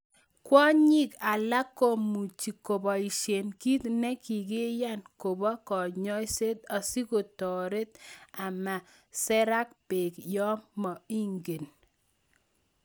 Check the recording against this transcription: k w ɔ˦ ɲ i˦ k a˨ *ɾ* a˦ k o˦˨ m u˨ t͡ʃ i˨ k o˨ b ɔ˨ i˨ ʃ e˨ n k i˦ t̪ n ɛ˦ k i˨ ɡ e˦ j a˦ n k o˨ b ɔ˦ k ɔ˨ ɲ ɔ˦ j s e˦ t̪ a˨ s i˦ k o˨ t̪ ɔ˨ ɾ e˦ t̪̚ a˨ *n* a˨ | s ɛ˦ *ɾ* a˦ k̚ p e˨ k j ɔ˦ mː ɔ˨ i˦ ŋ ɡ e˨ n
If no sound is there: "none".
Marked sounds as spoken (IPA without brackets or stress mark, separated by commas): l, m, ɾ